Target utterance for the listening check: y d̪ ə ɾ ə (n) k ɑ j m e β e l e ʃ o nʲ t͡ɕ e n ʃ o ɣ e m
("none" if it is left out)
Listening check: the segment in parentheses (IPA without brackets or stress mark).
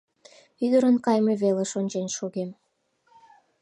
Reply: n